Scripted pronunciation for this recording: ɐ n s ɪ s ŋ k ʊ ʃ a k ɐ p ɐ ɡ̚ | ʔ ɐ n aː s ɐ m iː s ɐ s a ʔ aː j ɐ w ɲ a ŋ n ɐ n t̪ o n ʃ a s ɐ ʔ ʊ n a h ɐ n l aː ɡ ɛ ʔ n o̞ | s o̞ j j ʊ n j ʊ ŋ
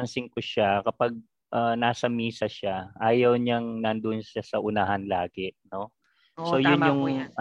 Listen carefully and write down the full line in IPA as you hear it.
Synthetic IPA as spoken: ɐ n s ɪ ŋ k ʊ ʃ a k ɐ p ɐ ɡ̚ | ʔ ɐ n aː s ɐ m iː s ɐ ʃ a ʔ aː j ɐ w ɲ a ŋ n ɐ n d̪ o n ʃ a s ɐ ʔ ʊ n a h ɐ n l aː ɡ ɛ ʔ n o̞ | s o̞ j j ʊ n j ʊ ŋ